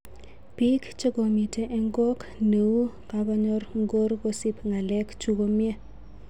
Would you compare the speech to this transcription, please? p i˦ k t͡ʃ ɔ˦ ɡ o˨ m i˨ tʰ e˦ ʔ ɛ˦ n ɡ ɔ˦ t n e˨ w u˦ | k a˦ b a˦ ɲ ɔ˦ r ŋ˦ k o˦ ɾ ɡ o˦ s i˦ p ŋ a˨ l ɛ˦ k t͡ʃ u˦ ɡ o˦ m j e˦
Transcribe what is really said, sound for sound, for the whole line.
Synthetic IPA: p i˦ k t͡ʃ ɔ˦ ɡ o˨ m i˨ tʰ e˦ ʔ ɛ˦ ŋ ɡ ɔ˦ k n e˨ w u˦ | k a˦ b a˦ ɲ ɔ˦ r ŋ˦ ɡ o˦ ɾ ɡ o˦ s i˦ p ŋ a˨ l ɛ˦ k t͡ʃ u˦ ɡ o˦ m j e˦